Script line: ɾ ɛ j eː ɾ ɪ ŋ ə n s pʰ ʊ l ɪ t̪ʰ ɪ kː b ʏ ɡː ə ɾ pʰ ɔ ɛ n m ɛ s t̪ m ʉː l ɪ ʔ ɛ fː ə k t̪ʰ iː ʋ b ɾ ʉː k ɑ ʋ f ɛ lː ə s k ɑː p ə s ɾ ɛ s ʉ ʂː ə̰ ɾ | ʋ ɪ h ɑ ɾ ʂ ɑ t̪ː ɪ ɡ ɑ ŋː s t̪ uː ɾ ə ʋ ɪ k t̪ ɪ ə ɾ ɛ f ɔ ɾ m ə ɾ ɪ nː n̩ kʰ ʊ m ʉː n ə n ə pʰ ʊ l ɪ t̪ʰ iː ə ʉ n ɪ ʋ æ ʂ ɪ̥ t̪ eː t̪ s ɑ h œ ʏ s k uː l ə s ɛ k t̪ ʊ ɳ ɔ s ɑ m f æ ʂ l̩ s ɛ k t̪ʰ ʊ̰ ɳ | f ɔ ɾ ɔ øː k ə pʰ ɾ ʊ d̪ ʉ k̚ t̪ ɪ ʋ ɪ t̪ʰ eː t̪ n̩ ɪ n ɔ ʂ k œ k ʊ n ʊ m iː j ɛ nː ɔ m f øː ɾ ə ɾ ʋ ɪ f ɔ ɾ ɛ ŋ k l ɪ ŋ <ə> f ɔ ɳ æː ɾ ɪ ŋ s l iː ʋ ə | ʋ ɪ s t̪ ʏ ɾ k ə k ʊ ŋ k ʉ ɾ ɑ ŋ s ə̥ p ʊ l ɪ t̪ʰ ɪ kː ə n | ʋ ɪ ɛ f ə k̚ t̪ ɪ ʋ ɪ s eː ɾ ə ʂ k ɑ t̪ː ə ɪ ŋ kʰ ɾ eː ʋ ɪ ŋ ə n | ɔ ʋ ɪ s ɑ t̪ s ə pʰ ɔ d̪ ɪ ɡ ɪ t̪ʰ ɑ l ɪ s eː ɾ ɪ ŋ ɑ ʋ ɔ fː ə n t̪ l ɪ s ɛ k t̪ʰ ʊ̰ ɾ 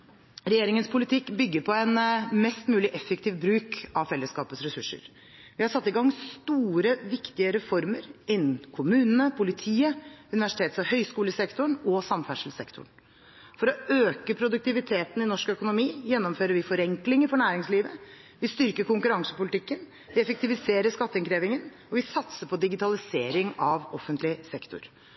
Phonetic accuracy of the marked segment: correct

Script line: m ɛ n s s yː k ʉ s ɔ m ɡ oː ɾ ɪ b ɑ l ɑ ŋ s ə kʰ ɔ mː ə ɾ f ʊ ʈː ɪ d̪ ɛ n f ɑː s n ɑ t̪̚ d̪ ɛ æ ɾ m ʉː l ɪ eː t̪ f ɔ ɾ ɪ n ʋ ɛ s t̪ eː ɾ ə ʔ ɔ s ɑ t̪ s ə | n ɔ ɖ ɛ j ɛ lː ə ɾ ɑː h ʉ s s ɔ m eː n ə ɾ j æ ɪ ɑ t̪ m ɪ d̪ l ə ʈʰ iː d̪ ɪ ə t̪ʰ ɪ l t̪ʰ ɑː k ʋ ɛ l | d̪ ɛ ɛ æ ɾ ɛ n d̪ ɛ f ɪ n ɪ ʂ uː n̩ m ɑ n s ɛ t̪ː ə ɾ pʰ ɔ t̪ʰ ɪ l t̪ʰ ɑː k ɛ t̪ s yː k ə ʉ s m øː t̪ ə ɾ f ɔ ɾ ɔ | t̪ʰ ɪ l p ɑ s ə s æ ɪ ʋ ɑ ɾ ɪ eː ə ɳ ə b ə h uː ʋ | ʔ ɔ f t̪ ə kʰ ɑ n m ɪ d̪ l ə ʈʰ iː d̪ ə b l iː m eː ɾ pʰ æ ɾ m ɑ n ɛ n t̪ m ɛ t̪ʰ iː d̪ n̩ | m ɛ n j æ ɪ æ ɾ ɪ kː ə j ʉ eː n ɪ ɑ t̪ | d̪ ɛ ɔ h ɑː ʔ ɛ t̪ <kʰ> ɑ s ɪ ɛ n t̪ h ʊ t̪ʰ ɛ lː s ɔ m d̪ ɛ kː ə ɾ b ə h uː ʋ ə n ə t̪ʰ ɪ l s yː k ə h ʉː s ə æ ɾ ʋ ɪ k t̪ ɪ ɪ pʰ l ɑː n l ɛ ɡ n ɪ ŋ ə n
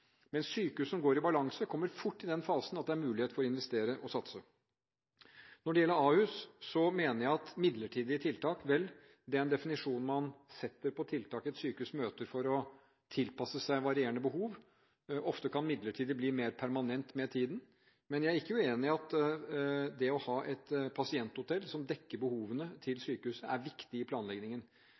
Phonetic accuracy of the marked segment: incorrect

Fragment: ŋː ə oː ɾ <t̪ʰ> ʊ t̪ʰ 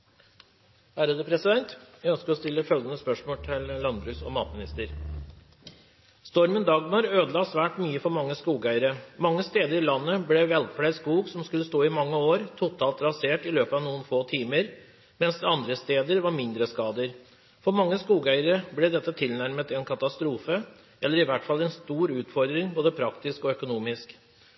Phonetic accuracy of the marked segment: correct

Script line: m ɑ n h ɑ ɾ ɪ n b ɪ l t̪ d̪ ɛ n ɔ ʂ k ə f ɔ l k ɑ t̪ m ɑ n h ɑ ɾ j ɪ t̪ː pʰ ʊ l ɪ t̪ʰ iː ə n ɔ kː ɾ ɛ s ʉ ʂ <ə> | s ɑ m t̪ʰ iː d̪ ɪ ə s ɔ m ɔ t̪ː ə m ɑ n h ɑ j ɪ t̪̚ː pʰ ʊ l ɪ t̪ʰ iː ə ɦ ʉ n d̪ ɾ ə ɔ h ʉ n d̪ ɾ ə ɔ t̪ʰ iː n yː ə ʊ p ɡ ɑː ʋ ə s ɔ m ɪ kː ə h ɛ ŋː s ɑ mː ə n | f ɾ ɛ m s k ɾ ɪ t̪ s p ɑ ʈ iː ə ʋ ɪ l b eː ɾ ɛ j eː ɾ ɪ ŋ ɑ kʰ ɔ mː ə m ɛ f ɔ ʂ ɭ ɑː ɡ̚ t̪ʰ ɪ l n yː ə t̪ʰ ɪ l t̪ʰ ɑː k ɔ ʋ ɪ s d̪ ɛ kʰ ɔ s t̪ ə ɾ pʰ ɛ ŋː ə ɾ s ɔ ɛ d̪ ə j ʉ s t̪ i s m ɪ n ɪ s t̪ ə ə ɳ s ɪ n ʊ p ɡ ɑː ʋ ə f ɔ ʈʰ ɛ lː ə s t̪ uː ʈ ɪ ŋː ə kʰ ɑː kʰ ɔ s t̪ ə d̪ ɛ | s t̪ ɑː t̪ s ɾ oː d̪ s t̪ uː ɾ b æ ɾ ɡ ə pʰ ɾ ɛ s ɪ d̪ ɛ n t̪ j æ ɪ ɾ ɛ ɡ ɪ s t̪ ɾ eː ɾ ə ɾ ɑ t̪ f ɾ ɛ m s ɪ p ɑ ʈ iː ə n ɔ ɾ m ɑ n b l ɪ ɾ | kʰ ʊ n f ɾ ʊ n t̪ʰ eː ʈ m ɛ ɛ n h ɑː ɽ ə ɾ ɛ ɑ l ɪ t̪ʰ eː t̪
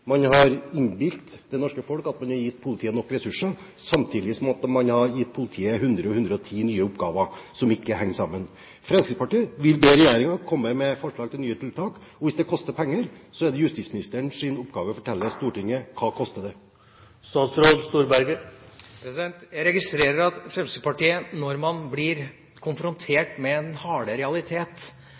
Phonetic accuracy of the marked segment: correct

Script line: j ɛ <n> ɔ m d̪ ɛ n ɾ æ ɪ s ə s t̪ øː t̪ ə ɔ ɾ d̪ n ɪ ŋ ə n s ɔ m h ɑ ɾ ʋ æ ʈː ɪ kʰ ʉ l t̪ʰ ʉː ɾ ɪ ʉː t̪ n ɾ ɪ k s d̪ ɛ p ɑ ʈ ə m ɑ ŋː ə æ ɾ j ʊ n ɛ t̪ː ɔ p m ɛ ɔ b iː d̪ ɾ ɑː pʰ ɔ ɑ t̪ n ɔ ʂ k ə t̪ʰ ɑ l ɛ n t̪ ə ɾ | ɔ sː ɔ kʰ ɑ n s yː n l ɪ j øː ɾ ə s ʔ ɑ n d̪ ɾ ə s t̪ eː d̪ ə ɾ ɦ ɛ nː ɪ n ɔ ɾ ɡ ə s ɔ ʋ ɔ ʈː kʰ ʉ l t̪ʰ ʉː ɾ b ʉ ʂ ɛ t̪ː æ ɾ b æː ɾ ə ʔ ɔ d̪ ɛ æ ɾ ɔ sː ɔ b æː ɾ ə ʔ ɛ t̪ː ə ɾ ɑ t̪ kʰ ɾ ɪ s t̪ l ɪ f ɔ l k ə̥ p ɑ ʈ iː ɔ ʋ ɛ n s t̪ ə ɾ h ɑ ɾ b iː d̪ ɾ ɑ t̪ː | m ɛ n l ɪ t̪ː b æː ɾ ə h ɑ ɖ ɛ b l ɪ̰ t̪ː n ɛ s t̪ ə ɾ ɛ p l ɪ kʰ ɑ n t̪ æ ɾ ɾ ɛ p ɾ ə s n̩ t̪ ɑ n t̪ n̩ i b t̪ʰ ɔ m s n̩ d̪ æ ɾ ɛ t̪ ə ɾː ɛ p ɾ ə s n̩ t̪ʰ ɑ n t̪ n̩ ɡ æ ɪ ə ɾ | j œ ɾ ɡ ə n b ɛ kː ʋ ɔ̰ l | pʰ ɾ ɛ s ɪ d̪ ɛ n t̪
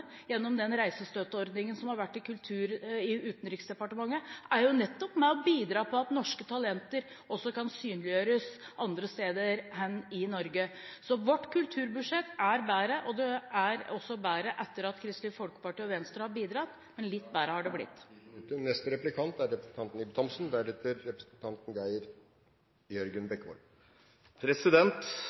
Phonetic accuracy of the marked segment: incorrect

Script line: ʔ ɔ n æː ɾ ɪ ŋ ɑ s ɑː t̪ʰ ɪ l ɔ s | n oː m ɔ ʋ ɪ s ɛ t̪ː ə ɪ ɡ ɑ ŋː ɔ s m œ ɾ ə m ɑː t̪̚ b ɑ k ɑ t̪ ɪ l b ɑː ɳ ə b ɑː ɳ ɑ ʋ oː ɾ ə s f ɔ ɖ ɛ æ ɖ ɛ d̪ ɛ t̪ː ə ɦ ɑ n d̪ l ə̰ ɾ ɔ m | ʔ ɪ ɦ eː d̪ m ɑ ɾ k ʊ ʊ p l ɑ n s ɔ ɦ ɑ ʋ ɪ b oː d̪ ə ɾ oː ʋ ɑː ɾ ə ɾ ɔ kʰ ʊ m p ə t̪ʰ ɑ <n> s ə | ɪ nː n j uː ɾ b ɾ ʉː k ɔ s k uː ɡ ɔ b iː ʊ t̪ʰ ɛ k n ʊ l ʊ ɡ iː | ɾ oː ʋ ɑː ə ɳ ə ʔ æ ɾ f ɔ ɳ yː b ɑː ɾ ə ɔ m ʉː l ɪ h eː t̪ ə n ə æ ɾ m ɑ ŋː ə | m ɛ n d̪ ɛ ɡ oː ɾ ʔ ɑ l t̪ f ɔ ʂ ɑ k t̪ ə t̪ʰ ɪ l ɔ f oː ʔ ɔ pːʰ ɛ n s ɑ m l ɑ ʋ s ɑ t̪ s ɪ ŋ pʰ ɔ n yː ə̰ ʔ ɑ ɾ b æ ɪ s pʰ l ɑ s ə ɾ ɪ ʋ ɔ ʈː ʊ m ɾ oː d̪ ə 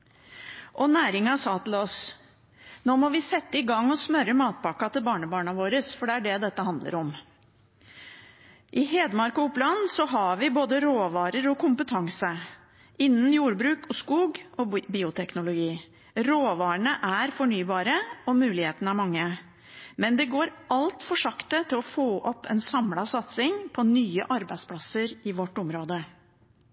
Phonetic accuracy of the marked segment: incorrect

